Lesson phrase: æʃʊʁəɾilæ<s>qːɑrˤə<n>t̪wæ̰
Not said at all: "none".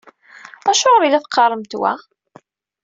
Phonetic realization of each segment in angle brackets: θ, m

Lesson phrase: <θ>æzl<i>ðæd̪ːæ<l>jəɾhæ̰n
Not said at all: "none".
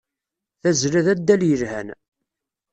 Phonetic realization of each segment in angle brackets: θ, æ, l

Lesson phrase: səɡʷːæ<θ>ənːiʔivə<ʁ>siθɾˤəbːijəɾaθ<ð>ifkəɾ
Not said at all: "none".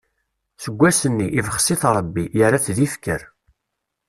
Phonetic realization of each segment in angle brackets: s, χ, ð

